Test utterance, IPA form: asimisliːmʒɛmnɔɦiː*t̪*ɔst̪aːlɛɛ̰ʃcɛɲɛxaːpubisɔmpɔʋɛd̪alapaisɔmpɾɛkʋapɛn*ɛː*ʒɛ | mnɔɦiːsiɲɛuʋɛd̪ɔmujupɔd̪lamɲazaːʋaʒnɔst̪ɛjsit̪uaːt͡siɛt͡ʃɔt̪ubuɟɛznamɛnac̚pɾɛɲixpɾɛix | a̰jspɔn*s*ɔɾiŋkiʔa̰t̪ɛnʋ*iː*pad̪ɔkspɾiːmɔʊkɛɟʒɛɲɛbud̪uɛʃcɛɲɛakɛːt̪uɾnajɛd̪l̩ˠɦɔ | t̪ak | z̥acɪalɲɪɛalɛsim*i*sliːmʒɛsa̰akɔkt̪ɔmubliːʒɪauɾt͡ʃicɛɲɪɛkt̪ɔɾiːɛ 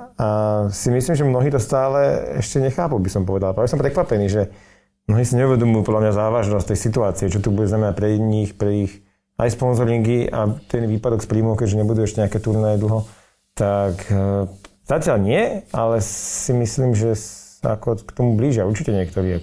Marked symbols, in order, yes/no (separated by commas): yes, no, no, yes, yes